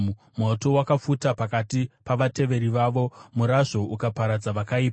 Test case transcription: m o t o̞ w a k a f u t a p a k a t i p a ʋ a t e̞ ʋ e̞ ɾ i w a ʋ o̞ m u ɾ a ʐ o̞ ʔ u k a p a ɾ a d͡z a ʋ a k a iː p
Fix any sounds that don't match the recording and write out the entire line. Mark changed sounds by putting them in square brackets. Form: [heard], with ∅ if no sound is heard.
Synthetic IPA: m o t o̞ w a k a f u t a p a k a t i p a ʋ a t e̞ ʋ e̞ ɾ i [ʋ] a ʋ o̞ m u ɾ a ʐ o̞ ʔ u k a p a ɾ a d͡z a ʋ a k a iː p